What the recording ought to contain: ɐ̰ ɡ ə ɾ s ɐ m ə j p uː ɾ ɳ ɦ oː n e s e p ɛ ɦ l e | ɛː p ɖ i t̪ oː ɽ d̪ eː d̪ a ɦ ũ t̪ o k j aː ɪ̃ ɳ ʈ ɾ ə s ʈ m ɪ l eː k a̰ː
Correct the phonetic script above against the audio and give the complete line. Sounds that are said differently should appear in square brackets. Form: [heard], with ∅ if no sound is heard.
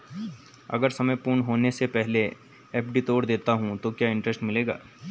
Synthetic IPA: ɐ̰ ɡ ə ɾ s ɐ m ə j p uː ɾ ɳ ɦ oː n e s e p ɛ ɦ l e | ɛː p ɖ i t̪ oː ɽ d̪ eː [t̪] a ɦ ũ t̪ o k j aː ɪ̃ ɳ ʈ ɾ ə s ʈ m ɪ l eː [ɡ] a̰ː